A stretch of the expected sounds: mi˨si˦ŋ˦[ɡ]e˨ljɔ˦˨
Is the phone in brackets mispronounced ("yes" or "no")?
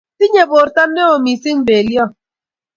yes